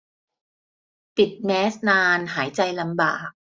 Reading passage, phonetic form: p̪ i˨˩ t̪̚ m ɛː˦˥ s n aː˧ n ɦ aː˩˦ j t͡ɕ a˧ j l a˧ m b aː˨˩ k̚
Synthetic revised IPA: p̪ i˨˩ t̪̚ m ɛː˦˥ s n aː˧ n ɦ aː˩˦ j t͡ɕ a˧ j l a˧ m b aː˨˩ k̚